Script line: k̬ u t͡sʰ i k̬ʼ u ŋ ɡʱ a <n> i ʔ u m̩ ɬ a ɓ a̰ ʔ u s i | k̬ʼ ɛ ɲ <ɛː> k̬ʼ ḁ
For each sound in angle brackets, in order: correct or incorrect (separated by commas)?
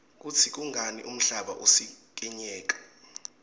correct, correct